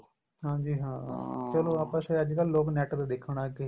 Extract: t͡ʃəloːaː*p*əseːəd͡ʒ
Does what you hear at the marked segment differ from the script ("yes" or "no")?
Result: no